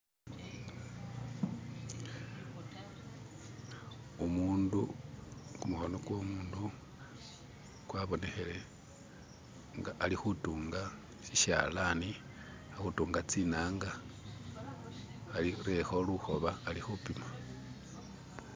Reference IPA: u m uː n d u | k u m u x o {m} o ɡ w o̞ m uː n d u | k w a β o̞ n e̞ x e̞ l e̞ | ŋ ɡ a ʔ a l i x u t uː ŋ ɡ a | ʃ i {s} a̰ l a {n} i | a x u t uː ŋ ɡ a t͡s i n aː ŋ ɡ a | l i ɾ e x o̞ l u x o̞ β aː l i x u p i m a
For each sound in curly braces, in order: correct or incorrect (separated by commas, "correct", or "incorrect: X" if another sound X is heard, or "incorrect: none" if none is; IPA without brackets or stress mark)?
incorrect: n, incorrect: ʃ, correct